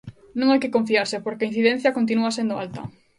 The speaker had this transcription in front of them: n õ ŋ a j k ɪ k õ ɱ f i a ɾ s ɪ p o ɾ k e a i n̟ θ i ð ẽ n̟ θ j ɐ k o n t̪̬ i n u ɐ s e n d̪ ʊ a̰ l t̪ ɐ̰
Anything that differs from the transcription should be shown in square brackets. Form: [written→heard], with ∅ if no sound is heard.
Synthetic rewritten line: n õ ŋ a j k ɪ k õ ɱ f i a ɾ s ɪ p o ɾ k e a i n̟ θ i ð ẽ n̟ θ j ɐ k o n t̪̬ i n u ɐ s e n d̪ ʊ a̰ l t̪ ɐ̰